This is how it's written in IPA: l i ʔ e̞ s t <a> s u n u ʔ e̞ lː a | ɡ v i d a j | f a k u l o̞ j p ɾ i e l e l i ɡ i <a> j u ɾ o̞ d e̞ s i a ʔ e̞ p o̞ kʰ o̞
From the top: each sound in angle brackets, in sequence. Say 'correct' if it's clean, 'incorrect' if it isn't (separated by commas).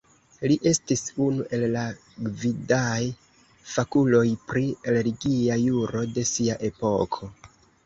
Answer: incorrect, correct